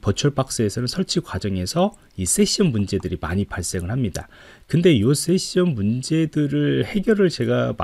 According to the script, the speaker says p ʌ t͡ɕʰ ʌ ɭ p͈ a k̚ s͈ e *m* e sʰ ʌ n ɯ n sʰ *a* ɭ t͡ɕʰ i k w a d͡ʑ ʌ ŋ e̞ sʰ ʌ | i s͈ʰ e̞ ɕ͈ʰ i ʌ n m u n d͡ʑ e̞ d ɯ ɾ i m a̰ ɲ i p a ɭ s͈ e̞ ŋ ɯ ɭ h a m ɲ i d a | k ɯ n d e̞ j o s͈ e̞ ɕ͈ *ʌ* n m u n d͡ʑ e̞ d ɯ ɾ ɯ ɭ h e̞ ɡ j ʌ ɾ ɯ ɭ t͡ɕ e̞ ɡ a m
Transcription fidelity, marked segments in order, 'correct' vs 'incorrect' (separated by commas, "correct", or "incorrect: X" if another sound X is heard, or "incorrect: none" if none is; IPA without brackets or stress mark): incorrect: none, incorrect: ʌ, correct